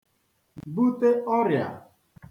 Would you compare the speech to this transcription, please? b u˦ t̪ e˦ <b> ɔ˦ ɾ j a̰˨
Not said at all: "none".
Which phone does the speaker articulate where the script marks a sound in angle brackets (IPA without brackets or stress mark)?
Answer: none